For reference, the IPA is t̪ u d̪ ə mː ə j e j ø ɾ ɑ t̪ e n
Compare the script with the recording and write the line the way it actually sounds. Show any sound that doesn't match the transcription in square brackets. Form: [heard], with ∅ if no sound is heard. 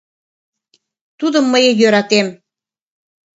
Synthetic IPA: t̪ u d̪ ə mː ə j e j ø ɾ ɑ t̪ e [m]